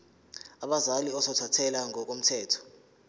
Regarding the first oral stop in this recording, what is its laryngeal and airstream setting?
implosive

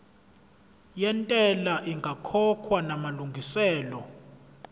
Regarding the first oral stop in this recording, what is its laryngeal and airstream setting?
ejective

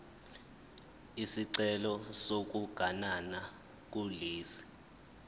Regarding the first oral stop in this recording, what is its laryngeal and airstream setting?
click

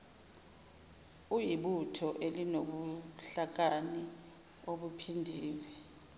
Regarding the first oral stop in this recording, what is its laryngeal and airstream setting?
implosive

